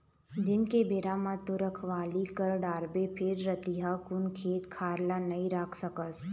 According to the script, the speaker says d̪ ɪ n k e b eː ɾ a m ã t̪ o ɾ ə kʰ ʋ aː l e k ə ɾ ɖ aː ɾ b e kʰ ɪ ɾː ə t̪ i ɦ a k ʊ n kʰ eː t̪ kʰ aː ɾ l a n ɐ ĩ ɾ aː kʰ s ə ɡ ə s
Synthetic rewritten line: d̪ ɪ n k e b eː ɾ a m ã t̪ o ɾ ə kʰ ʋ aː l i k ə ɾ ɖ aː ɾ b e pʰ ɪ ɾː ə t̪ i ɦ a k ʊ n kʰ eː t̪ kʰ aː ɾ l a n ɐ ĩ ɾ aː kʰ s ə k ə s